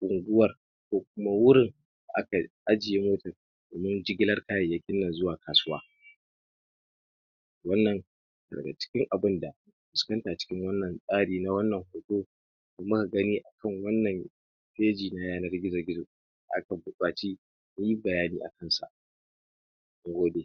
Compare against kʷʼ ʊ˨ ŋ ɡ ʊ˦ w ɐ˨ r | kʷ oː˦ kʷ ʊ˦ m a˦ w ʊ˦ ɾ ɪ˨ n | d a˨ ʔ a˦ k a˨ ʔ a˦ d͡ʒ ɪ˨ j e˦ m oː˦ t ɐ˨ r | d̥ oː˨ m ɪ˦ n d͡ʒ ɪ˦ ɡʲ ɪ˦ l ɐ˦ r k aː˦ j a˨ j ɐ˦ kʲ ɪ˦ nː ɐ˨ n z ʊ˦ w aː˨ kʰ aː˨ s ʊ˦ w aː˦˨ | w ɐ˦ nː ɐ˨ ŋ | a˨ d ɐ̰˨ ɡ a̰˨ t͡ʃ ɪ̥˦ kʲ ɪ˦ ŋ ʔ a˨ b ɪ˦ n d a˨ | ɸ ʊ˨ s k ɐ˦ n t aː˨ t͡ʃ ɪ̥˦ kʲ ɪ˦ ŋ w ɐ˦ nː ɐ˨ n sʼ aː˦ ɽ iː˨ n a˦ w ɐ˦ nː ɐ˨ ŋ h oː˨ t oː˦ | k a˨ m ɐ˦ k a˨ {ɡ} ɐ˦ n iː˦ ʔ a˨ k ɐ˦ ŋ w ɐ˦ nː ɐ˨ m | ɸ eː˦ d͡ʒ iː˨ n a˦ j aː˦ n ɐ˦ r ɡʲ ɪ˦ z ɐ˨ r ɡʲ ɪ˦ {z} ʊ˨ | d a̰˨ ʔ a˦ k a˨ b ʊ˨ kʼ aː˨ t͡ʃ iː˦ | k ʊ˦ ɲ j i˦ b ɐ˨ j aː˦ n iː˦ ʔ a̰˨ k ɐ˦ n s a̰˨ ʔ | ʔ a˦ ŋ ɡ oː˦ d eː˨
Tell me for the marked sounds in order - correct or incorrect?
correct, correct

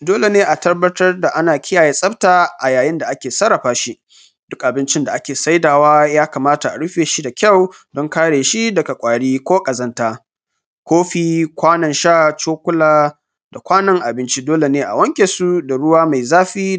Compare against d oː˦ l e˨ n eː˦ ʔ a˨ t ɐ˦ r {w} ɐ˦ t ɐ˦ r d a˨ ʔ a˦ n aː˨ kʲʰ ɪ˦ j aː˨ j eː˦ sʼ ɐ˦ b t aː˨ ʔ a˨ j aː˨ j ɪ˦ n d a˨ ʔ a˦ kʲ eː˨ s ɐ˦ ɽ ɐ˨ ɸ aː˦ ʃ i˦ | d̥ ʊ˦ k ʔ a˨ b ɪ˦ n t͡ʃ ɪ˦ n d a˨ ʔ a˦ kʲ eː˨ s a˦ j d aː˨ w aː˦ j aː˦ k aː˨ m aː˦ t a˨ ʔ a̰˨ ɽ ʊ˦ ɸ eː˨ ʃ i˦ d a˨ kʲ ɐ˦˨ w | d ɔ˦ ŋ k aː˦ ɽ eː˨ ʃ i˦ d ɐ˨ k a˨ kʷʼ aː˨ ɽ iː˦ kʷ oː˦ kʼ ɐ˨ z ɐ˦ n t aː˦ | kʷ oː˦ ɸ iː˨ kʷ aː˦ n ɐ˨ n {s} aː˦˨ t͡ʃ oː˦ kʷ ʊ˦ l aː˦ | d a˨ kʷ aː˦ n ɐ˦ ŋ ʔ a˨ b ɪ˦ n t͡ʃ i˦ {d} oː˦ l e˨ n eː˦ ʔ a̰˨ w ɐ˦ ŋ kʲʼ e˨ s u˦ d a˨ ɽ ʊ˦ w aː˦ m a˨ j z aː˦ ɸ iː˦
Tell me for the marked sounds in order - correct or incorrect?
incorrect: b, incorrect: ʃ, correct

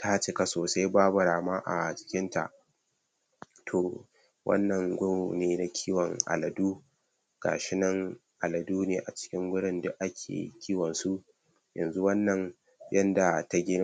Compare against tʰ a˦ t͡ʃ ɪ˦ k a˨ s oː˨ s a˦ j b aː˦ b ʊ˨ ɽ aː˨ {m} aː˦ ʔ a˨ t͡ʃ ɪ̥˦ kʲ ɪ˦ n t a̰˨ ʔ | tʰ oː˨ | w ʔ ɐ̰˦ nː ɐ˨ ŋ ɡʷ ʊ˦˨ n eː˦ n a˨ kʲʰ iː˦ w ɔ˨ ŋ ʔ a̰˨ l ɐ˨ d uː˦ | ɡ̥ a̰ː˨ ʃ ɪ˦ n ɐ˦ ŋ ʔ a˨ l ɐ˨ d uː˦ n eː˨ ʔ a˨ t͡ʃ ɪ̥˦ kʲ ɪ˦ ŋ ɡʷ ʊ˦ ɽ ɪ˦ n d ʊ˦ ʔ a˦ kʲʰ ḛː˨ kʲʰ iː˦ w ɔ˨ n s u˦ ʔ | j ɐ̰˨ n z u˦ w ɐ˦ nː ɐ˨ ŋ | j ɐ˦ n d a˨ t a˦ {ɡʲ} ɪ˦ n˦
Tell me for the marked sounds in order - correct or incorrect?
correct, correct

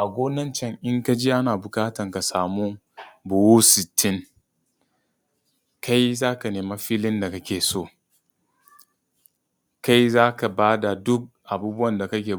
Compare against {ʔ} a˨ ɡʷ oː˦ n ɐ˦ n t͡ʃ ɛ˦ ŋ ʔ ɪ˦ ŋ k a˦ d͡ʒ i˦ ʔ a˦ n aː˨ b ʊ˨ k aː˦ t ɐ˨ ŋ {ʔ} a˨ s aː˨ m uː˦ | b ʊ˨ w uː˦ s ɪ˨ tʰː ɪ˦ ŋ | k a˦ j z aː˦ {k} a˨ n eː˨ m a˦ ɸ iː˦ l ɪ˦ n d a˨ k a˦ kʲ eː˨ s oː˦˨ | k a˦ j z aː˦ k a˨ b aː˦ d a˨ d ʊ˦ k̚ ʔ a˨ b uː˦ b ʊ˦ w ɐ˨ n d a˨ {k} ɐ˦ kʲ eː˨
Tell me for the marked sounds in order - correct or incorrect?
correct, incorrect: k, correct, correct

